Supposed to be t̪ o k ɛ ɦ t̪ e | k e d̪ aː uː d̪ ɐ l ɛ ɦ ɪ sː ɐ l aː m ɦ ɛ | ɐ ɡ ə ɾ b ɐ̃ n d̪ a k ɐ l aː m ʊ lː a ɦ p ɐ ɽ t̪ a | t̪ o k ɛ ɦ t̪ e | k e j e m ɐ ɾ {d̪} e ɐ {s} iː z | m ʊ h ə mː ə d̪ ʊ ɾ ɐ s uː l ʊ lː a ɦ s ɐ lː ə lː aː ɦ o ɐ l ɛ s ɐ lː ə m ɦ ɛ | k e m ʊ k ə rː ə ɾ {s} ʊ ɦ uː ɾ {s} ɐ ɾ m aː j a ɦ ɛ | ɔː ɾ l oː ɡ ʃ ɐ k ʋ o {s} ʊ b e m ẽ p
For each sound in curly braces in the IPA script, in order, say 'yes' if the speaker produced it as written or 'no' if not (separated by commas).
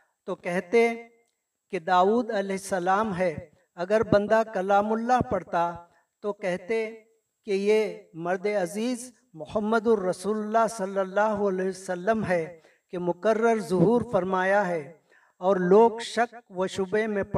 yes, no, no, no, no